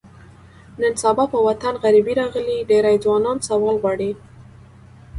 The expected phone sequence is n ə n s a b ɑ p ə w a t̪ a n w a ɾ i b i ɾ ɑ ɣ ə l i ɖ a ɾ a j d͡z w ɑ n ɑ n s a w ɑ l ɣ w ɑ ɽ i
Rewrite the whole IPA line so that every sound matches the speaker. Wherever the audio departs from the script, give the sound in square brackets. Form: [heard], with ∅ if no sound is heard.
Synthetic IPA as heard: n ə n s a b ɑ p ə w a t̪ a n [ɣ] a ɾ i b i ɾ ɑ ɣ ə l i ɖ [e] ɾ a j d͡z w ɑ n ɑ n s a w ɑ l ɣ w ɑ ɽ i